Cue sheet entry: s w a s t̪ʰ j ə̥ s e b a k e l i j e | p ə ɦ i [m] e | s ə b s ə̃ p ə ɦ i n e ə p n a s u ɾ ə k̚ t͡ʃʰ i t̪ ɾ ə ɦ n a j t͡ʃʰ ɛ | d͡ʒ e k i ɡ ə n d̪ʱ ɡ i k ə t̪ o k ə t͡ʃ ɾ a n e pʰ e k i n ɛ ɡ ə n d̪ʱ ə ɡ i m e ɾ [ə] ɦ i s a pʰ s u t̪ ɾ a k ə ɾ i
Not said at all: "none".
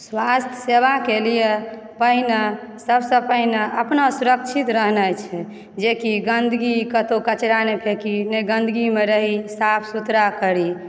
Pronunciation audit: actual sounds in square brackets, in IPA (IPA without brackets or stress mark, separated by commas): n, ə